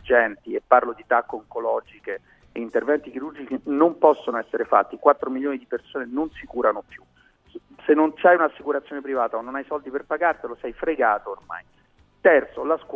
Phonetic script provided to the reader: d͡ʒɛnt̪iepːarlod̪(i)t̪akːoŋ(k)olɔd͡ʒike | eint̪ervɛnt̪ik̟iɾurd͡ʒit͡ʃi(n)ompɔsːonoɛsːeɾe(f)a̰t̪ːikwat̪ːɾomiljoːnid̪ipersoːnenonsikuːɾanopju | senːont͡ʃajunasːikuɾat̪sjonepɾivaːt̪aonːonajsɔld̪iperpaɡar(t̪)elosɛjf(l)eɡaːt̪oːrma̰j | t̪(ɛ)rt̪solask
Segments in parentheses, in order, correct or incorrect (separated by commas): correct, correct, correct, correct, correct, incorrect, correct